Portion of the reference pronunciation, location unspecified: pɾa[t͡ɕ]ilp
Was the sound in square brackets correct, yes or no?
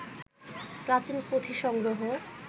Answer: yes